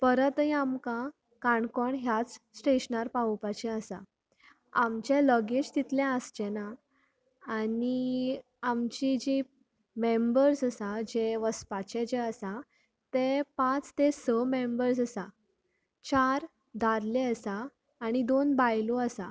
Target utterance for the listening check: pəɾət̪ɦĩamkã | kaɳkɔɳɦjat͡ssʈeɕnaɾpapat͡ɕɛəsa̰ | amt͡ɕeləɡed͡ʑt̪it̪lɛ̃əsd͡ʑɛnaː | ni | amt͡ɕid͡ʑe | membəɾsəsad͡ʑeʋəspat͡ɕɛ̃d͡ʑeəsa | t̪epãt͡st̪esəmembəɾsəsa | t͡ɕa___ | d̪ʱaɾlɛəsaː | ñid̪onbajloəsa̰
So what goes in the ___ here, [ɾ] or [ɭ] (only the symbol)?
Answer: ɾ